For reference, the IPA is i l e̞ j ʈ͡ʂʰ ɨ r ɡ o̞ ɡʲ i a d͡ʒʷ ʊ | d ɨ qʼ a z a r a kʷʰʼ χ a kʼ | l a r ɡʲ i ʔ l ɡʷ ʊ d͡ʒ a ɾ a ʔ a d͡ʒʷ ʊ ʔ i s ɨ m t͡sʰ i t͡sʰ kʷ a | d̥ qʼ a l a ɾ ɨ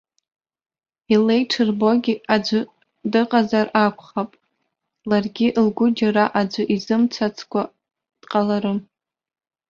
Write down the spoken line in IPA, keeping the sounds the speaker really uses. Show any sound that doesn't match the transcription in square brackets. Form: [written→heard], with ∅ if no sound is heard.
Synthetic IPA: i l e̞ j ʈ͡ʂʰ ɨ r [ɡ→b] o̞ ɡʲ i a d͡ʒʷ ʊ | d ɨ qʼ a z a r a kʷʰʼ χ a [kʼ→pʼ] | l a r ɡʲ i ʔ l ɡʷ ʊ d͡ʒ a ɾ a ʔ a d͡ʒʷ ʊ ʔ i [s→z] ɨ m t͡sʰ [i→a] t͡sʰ kʷ a | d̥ qʼ a l a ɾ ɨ